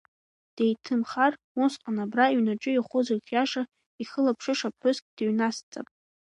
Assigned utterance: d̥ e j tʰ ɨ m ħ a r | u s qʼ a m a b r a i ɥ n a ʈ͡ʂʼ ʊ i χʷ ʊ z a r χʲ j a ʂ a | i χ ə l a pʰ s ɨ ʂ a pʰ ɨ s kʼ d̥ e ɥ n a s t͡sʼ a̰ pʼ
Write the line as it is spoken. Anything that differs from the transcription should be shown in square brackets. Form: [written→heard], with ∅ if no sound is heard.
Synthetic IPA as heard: d̥ e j tʰ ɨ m [ħ→χ] a r | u s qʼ a [m→n] a b r a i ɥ n a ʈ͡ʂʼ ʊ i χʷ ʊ z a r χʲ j a ʂ a | i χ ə l a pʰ [s→ʂ] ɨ ʂ a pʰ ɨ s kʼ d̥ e ɥ n a s t͡sʼ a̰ pʼ